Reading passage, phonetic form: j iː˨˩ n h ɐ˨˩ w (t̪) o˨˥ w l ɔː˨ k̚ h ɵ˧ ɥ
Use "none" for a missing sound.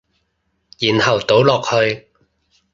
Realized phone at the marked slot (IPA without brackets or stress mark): t̪